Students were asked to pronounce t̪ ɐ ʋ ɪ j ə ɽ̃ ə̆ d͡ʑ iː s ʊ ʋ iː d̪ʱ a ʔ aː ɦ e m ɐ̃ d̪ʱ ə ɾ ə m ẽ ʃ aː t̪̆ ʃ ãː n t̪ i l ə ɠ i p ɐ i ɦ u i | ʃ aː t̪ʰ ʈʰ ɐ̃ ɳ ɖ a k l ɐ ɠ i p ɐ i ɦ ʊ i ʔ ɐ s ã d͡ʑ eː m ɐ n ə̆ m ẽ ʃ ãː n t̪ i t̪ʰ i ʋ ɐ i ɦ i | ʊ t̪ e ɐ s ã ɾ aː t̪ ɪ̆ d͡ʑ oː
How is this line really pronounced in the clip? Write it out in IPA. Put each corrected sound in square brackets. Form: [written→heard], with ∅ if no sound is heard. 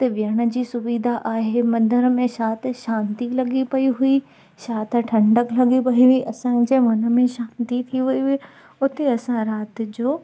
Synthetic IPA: t̪ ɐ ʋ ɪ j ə ɽ̃ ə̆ d͡ʑ iː s ʊ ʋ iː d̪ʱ a ʔ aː ɦ e m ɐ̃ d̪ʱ ə ɾ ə m ẽ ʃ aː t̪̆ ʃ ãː n t̪ i l [ə→ɐ] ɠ i p ɐ i ɦ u i | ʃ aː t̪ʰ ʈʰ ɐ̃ ɳ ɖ [a→ə] k l ɐ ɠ i p ɐ i ɦ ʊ i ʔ ɐ s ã d͡ʑ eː m ɐ n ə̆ m ẽ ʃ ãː n t̪ i t̪ʰ i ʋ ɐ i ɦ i | ʊ t̪ e ɐ s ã ɾ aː t̪ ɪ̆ d͡ʑ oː